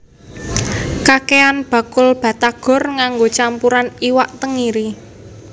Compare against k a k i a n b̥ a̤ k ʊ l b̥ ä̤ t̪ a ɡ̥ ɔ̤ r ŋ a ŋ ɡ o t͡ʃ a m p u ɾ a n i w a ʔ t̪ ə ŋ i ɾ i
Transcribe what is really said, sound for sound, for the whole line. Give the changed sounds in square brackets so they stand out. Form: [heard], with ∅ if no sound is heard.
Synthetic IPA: k a k [e] a n b̥ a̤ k ʊ l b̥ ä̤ t̪ a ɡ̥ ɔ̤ r ŋ a ŋ ɡ o t͡ʃ a m p u ɾ a n i w a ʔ t̪ ə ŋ i ɾ i

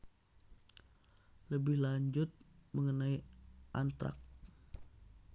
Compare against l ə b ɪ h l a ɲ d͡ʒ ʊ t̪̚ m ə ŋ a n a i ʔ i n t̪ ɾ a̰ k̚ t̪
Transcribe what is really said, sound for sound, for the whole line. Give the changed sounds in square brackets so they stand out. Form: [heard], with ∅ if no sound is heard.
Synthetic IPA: l ə b ɪ h l a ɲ d͡ʒ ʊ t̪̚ m ə ŋ [ə] n a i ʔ [a] n t̪ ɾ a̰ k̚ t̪

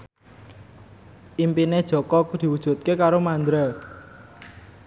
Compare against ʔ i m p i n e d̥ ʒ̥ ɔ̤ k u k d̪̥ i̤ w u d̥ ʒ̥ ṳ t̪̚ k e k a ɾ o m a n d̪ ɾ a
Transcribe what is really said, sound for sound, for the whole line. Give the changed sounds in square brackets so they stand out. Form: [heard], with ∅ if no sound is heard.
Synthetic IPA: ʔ i m p i n e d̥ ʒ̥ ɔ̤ k [ɔ] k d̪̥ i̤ w u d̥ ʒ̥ ṳ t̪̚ k e k a ɾ o m a n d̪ ɾ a

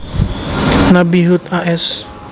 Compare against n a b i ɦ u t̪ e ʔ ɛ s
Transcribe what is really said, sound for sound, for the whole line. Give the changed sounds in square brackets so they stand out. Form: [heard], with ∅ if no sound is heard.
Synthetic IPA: n a b i ɦ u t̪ [a] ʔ ɛ s

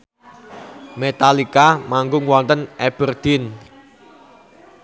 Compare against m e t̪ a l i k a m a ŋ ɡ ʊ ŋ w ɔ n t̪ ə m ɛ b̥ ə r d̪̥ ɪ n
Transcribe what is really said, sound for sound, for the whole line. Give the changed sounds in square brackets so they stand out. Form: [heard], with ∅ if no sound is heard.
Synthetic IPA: m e t̪ a l i k a m a ŋ ɡ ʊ ŋ w ɔ n t̪ ə [n] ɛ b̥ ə r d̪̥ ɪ n

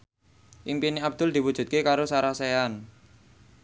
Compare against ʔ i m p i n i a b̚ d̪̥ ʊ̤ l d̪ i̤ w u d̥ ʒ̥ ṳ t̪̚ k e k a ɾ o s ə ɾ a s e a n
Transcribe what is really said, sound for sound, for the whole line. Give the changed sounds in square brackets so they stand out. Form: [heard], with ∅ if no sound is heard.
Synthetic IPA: ʔ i m p i n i a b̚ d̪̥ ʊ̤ l d̪ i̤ w u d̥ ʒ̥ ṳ t̪̚ k e k a ɾ o s [a] ɾ a s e a n

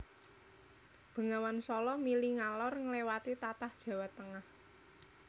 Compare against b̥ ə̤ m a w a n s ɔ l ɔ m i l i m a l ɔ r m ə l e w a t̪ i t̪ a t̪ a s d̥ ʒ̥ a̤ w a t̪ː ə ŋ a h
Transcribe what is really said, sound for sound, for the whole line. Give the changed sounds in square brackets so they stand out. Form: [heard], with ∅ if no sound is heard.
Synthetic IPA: b̥ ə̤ [ŋ] a w a n s ɔ l ɔ m i l i [ŋ] a l ɔ r [ŋ] ə l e w a t̪ i t̪ a t̪ a [h] d̥ ʒ̥ a̤ w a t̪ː ə ŋ a h

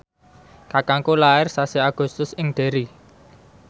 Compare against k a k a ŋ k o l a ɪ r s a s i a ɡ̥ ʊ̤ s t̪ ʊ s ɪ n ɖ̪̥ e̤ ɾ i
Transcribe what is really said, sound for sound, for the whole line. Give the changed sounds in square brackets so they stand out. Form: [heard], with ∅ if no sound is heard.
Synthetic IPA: k a k a ŋ k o l a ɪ r s a s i a ɡ̥ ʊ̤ s t̪ ʊ s ɪ [ŋ] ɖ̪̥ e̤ ɾ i

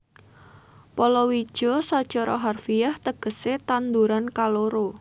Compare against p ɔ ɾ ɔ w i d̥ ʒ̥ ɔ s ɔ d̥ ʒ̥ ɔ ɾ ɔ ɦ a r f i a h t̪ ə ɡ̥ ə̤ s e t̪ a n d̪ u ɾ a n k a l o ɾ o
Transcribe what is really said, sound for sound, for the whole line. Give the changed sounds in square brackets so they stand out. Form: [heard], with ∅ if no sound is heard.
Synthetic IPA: p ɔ [l] ɔ w i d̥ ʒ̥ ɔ s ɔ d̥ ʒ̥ ɔ ɾ ɔ ɦ a r f i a h t̪ ə ɡ̥ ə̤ s e t̪ a n d̪ u ɾ a n k a l o ɾ o

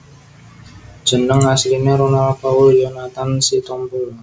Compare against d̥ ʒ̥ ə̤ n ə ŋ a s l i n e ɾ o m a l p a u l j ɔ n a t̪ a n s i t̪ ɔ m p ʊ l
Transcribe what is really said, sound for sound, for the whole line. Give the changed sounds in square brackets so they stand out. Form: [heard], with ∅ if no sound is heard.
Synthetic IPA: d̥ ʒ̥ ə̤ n ə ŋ a s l i n e ɾ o [n] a l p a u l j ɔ n a t̪ a n s i t̪ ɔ m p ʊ l

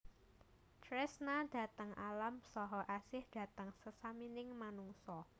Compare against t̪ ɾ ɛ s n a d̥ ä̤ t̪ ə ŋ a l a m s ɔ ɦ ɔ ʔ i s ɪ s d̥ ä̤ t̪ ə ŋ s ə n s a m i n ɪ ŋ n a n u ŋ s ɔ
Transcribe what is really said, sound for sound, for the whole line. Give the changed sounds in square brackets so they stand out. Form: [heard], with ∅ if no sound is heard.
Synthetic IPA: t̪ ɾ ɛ s n a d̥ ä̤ t̪ ə ŋ a l a m s ɔ ɦ ɔ ʔ [a] s ɪ [h] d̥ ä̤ t̪ ə ŋ s ə [∅] s a m i n ɪ ŋ [m] a n u ŋ s ɔ

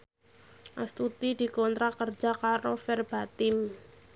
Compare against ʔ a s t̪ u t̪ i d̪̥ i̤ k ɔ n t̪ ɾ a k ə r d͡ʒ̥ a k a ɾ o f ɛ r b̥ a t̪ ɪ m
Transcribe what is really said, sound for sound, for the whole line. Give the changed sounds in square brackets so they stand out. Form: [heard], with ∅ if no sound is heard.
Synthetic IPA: ʔ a s t̪ u t̪ i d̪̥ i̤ k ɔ n t̪ ɾ a k ə r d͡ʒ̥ a k a ɾ o f ɛ r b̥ a t̪ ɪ m

